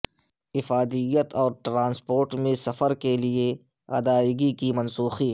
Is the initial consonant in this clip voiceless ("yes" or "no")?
yes